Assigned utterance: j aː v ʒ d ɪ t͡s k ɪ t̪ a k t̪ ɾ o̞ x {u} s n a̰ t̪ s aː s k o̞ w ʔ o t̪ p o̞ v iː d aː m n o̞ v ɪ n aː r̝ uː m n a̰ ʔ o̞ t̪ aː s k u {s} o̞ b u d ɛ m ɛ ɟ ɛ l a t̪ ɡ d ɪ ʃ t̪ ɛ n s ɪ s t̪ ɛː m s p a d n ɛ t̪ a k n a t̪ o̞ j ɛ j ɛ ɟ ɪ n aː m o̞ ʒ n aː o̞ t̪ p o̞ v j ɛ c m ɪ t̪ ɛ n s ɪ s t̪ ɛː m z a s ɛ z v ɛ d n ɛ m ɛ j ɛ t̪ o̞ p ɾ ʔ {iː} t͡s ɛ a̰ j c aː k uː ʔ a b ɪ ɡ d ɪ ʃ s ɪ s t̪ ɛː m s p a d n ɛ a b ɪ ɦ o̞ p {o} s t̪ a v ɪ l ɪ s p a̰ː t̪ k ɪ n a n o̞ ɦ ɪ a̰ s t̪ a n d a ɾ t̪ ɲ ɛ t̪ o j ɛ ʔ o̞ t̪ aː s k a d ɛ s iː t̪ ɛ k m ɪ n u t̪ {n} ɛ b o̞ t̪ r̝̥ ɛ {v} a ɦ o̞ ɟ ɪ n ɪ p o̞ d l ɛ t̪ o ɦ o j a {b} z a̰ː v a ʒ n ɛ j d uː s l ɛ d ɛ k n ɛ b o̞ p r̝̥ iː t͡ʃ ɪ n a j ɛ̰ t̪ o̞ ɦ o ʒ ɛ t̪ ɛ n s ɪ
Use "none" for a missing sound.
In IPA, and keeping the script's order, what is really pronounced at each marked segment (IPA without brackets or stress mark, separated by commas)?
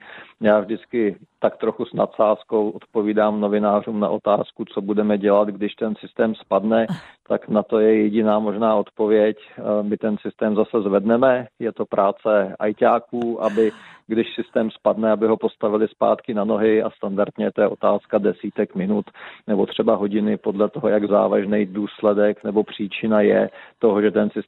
u, t͡s, aː, o, n, b, ɡ